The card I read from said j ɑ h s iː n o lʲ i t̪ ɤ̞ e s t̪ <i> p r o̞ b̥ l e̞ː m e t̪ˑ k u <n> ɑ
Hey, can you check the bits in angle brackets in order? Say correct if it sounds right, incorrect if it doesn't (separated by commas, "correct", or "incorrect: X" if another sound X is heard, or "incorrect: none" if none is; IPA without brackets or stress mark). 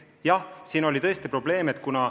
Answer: correct, correct